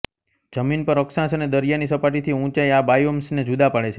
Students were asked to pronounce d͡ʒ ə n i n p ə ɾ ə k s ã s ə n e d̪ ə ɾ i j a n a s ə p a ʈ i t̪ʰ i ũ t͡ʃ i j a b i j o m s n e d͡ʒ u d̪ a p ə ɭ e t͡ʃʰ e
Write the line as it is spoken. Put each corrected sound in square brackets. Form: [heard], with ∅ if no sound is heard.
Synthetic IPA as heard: d͡ʒ ə [m] i n p ə ɾ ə k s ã s ə n e d̪ ə ɾ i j a n [i] s ə p a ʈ i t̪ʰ i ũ t͡ʃ [a] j a b [a] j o m s n e d͡ʒ u d̪ a p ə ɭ e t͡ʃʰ e